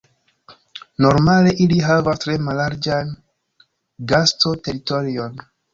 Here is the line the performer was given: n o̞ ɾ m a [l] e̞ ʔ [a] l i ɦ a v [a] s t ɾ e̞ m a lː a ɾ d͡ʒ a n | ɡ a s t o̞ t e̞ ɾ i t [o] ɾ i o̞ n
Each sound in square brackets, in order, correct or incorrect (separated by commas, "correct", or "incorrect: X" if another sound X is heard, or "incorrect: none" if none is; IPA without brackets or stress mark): correct, incorrect: i, correct, correct